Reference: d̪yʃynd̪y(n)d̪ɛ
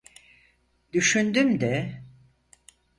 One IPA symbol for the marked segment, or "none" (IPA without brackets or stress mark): m